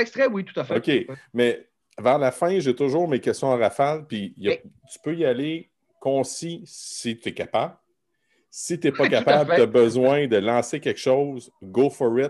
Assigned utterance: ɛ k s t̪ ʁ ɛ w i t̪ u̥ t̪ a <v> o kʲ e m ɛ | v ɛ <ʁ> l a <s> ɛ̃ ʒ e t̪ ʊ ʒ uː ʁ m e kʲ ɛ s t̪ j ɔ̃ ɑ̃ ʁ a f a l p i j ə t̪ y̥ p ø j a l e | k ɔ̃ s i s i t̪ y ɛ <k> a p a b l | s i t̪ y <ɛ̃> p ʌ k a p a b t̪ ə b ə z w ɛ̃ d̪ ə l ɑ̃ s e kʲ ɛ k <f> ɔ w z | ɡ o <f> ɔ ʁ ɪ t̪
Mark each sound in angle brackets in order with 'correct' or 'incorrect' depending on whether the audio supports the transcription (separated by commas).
incorrect, correct, incorrect, correct, incorrect, incorrect, correct